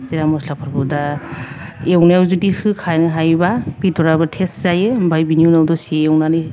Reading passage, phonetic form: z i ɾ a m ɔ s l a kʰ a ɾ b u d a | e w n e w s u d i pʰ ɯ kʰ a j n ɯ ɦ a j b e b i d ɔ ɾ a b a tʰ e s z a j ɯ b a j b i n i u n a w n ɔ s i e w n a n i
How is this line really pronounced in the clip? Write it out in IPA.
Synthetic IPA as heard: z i ɾ a m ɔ s l a pʰ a ɾ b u d a | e w n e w z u d i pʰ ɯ kʰ a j n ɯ ɦ a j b a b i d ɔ ɾ a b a tʰ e s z a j ɯ b a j b i n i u n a w d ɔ s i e w n a n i